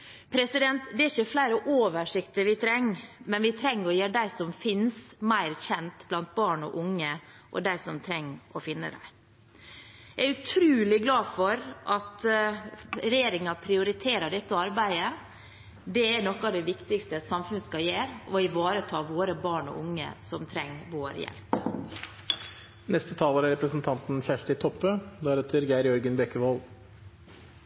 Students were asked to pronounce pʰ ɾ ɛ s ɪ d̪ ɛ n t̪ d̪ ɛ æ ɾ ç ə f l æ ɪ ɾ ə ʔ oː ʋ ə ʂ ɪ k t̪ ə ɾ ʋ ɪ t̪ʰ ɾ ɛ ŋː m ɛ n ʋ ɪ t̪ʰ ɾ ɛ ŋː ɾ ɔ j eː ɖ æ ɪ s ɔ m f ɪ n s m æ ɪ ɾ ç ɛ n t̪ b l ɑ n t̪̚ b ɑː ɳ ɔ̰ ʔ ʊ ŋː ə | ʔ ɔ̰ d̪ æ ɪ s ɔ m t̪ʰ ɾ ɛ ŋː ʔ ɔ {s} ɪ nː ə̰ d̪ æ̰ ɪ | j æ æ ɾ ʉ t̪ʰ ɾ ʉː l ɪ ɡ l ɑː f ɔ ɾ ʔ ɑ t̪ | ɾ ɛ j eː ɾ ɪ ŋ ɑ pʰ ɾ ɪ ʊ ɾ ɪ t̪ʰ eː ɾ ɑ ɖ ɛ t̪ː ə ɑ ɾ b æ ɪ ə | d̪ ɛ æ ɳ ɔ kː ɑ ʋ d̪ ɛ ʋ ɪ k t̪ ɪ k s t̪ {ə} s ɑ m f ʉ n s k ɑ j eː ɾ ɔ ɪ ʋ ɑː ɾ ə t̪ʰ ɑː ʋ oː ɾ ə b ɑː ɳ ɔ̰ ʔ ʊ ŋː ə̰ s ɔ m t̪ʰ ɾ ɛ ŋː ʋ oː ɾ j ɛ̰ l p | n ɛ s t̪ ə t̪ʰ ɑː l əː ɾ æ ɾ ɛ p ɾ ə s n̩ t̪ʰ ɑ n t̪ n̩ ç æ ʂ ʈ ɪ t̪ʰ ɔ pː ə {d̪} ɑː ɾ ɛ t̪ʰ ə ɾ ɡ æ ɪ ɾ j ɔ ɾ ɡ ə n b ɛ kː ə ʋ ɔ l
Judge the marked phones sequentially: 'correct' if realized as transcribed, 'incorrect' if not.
incorrect: f, correct, correct

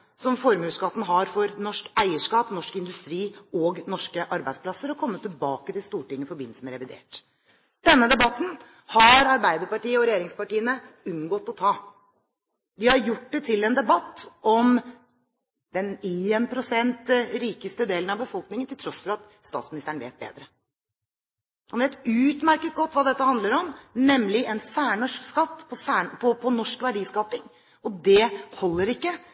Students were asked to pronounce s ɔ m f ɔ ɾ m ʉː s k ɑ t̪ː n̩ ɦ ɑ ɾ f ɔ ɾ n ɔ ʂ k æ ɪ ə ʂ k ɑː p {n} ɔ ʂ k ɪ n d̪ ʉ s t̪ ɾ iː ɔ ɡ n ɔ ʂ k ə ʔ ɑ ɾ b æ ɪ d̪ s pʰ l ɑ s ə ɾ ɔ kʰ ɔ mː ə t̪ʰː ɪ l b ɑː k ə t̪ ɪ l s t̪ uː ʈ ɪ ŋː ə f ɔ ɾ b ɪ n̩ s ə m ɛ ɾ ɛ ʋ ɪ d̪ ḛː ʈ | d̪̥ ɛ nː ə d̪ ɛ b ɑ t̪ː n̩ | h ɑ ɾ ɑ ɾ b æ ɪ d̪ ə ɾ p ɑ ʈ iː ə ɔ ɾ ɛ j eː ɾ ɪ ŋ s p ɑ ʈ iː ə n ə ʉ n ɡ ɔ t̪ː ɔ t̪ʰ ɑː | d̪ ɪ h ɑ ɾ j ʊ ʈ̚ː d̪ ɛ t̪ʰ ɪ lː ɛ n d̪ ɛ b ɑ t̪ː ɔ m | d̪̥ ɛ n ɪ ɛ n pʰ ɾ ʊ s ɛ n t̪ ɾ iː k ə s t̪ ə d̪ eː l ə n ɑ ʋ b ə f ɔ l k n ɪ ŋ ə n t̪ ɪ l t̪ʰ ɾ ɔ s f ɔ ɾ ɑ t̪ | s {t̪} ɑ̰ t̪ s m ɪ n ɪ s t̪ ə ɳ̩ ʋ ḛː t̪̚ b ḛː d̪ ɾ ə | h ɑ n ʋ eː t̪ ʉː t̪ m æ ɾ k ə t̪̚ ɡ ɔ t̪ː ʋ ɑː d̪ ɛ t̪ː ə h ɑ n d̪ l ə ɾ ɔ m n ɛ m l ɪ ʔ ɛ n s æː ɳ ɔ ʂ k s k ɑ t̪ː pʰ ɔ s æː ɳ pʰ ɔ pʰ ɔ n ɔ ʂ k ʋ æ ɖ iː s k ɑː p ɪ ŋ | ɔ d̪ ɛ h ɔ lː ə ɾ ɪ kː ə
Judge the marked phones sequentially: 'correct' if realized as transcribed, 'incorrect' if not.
correct, correct

